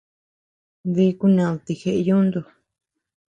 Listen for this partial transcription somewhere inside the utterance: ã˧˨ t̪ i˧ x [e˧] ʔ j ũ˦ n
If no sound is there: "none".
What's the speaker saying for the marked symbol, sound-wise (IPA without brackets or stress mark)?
e˧